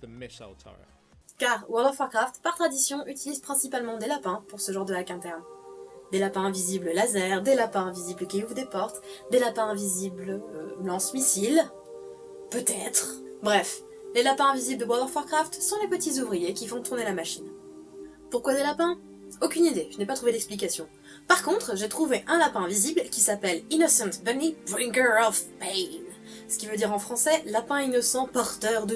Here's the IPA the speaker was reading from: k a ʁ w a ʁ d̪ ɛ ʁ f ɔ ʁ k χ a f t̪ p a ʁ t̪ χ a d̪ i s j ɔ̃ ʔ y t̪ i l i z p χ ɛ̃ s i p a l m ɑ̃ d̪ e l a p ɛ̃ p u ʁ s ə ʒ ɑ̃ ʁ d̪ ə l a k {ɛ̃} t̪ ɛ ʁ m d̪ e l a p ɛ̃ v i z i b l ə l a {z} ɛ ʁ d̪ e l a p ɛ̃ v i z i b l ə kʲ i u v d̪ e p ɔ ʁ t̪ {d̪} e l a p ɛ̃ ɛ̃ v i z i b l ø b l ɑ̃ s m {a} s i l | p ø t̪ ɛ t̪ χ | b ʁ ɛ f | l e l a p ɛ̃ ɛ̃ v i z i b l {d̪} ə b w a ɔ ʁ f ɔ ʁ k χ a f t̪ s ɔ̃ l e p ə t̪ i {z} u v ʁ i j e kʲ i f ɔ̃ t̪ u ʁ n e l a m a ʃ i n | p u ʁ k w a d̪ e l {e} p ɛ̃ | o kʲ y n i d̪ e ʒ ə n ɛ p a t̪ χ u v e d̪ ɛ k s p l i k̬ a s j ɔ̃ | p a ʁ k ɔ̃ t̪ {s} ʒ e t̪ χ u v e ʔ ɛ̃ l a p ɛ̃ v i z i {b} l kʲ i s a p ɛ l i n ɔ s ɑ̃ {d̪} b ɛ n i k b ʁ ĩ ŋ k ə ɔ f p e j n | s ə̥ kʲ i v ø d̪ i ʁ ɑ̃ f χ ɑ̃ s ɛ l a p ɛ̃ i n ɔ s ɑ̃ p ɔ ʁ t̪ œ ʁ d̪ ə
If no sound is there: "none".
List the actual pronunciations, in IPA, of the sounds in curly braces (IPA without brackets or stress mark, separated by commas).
ɛ̃, z, d̪, i, d̪, z, a, χ, b, t̪